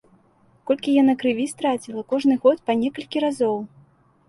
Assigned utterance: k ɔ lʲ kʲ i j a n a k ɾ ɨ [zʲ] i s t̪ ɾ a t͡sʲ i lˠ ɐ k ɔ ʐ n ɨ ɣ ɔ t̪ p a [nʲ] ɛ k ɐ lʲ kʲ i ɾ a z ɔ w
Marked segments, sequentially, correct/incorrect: incorrect, correct

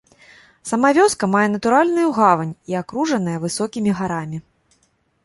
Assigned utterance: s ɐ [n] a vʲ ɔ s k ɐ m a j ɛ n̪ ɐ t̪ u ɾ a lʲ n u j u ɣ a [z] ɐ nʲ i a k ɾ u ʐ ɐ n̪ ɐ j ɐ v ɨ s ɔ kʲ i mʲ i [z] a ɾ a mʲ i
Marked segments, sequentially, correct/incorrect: incorrect, incorrect, incorrect

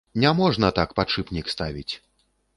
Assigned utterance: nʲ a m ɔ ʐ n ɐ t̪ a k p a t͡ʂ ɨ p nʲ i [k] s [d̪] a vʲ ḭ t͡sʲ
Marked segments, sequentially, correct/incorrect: correct, incorrect

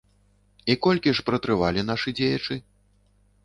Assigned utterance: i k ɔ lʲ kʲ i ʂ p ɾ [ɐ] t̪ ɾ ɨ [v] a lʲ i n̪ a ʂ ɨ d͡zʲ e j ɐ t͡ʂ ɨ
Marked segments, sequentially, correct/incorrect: correct, correct

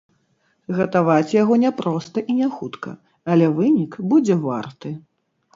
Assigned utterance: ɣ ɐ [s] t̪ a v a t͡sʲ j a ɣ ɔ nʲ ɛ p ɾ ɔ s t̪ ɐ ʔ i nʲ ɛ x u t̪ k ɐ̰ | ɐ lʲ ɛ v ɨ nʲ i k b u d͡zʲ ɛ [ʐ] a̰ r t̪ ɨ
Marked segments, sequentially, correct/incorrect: incorrect, incorrect

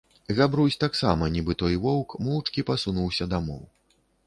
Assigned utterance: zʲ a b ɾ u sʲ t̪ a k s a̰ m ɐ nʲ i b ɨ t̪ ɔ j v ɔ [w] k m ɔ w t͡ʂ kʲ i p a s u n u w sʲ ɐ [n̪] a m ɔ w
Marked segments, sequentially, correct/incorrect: correct, incorrect

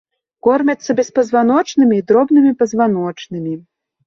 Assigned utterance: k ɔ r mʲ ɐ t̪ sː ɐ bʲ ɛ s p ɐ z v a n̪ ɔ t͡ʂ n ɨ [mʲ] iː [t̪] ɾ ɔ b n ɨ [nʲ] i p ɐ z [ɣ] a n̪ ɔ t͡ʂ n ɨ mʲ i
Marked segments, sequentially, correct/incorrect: correct, incorrect, incorrect, incorrect

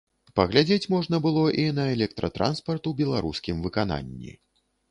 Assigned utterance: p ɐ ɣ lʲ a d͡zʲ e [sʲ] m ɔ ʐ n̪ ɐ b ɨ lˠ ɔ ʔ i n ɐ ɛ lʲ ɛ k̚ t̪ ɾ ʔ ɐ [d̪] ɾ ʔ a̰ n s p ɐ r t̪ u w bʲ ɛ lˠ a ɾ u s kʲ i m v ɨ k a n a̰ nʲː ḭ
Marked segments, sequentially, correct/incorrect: incorrect, incorrect

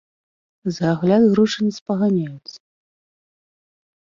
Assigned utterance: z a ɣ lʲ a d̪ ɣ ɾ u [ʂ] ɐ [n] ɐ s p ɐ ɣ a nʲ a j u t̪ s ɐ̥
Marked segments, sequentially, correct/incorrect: correct, correct

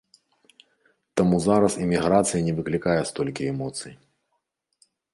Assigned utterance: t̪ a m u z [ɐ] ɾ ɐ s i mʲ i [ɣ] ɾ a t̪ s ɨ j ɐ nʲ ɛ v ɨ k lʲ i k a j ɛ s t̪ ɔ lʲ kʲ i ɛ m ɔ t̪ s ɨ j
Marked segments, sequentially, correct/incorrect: incorrect, correct

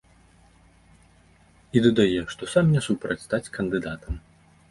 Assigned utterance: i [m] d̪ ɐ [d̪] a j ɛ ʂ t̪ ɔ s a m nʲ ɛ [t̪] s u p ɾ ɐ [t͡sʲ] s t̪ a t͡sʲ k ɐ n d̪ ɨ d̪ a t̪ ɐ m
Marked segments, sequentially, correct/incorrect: incorrect, correct, incorrect, correct

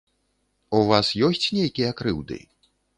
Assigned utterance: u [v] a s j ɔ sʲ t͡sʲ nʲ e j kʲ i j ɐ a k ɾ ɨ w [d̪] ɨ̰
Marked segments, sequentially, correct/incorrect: correct, correct

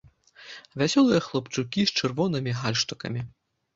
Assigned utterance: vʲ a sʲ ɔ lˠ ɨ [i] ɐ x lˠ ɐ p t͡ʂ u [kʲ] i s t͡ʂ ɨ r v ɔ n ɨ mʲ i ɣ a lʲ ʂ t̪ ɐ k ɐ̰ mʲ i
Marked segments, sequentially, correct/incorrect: incorrect, correct

